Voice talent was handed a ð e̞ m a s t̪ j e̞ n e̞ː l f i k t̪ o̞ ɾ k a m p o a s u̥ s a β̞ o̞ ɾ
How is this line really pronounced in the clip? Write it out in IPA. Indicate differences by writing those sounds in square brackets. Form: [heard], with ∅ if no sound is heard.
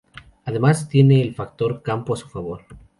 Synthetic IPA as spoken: a ð e̞ m a s t̪ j e̞ n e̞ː l f [a] k t̪ o̞ ɾ k a m p o a s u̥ [f] a β̞ o̞ ɾ